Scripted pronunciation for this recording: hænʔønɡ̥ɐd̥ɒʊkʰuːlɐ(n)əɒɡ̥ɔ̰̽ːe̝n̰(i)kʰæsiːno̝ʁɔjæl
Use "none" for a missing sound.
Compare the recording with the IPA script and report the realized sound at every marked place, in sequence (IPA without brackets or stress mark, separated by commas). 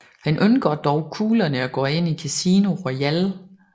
n, i